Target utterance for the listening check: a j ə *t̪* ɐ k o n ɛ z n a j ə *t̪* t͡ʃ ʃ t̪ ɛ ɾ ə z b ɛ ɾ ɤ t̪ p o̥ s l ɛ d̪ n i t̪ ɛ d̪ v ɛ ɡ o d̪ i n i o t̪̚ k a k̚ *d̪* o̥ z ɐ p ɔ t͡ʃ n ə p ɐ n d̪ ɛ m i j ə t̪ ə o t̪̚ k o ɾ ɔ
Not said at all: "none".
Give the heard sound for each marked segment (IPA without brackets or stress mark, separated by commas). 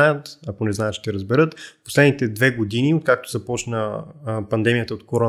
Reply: t̪, t̪, t̪